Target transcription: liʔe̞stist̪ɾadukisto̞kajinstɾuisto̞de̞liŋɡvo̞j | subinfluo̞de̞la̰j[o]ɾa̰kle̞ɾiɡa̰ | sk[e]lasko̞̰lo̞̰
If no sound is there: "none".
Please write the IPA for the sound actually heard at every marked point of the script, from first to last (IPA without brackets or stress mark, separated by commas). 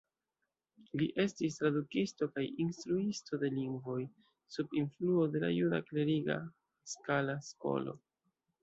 u, a